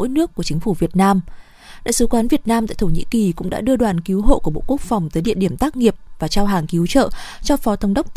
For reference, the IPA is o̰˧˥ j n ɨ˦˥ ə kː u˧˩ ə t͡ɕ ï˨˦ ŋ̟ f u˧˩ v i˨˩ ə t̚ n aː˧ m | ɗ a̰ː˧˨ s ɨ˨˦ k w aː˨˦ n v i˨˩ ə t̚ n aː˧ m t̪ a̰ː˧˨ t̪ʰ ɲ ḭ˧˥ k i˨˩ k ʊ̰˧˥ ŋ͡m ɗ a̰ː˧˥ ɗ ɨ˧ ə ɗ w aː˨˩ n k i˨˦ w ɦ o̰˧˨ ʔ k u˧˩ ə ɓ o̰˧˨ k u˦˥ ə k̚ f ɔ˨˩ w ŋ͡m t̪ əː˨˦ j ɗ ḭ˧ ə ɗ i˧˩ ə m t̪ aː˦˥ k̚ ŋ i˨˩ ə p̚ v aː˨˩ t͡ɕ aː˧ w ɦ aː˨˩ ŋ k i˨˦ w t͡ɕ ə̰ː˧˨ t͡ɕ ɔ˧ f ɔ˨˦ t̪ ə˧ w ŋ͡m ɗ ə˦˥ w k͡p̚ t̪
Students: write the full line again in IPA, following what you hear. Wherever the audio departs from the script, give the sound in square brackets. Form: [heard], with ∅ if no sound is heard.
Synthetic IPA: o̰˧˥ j n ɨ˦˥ ə kː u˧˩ ə t͡ɕ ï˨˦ ŋ̟ f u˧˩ v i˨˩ ə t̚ n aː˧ m | ɗ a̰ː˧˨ s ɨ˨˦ k w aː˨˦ n v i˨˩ ə t̚ n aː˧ m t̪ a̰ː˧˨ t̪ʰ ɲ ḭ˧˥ k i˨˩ k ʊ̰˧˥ ŋ͡m ɗ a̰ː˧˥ ɗ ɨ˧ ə ɗ w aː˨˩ n k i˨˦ w ɦ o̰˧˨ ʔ k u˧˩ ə ɓ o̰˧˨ k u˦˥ ə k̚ f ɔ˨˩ w ŋ͡m t̪ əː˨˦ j ɗ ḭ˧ ə ɗ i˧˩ ə m t̪ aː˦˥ k̚ ŋ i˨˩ ə p̚ v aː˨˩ t͡ɕ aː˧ w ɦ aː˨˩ ŋ k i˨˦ w t͡ɕ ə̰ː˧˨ t͡ɕ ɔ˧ f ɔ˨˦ t̪ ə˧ w ŋ͡m ɗ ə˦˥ w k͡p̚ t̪